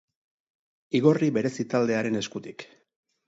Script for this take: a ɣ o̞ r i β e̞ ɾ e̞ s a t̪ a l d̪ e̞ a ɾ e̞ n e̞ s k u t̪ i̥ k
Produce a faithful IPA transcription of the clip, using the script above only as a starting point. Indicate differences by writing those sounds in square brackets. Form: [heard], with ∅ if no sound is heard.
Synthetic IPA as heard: [i] ɣ o̞ r i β e̞ ɾ e̞ s [i] t̪ a l d̪ e̞ a ɾ e̞ n e̞ s k u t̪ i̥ k